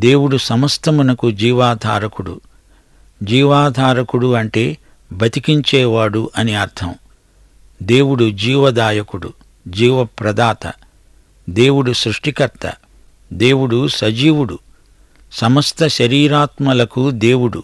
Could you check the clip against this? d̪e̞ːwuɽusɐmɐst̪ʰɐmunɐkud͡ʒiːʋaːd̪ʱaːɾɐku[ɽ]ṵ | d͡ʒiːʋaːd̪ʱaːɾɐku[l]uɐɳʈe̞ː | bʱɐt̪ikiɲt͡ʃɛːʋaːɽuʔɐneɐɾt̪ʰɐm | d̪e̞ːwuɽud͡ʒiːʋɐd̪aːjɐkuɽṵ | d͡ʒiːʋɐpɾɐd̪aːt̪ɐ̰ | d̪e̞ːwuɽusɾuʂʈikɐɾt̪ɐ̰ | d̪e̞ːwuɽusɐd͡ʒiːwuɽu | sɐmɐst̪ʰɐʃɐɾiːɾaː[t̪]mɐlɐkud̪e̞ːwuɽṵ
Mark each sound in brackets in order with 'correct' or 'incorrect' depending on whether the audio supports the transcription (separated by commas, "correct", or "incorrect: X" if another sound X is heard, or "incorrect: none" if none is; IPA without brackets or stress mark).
correct, incorrect: ɽ, correct